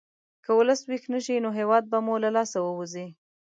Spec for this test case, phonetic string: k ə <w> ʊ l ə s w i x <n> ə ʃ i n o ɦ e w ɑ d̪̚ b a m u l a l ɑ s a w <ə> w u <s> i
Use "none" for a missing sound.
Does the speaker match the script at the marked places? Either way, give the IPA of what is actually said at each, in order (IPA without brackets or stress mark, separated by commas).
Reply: w, n, ə, z